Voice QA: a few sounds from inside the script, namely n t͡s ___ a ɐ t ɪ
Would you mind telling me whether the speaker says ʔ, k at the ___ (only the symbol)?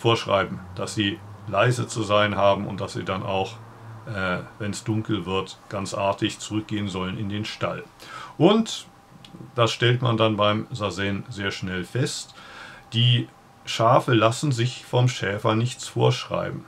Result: ʔ